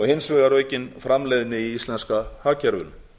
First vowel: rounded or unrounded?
rounded